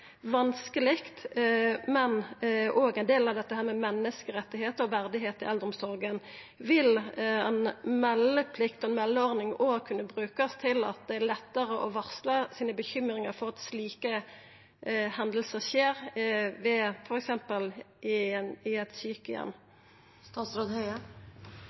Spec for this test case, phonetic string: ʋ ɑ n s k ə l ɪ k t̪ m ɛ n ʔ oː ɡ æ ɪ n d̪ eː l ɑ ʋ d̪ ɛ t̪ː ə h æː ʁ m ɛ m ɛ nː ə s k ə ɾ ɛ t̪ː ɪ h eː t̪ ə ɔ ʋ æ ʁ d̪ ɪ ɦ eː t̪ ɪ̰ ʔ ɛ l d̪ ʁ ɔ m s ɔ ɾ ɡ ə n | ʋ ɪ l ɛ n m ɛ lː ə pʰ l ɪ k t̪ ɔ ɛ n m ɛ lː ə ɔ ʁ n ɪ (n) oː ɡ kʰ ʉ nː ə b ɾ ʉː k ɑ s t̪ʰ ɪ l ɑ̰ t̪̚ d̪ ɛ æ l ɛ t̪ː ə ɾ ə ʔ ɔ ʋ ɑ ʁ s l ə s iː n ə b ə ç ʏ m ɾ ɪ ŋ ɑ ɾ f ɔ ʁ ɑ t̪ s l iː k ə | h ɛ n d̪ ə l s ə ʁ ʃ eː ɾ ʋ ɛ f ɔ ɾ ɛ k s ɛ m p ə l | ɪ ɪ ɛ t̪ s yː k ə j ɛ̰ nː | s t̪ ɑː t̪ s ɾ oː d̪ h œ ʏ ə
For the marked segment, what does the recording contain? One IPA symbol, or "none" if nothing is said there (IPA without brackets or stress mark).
ŋ